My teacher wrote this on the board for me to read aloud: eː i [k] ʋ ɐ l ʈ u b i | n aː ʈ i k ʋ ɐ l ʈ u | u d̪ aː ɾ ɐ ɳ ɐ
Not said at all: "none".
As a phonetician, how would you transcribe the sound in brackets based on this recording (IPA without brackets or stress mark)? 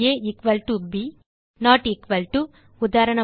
k